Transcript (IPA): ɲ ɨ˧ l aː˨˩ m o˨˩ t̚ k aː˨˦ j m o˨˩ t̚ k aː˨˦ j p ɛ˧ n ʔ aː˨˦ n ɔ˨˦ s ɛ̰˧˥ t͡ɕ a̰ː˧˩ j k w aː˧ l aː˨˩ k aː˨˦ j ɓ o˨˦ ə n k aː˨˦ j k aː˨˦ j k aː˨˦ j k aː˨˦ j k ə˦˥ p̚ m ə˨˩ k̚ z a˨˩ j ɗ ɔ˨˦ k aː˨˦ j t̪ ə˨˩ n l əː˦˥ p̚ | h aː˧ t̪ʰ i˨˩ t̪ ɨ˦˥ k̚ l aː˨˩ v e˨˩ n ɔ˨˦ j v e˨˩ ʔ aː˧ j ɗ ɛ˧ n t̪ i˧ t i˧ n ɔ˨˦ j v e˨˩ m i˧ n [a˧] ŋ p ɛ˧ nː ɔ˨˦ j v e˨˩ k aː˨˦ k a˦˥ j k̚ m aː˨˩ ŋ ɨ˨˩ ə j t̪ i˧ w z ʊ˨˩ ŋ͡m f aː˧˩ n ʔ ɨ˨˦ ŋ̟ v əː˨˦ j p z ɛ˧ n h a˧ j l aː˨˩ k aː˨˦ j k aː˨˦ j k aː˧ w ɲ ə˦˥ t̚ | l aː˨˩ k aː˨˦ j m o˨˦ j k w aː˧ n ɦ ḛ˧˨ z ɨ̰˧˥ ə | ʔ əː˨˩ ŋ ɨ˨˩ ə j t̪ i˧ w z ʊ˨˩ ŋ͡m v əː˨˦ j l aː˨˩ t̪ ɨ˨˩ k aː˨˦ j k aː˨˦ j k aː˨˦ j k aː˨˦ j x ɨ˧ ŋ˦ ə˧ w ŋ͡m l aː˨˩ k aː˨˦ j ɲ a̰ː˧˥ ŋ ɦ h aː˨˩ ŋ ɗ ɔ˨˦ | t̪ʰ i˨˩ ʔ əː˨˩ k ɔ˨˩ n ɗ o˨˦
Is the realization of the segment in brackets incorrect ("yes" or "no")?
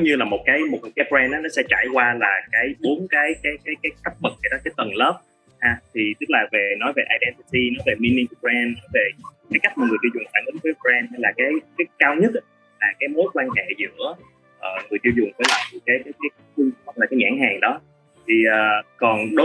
yes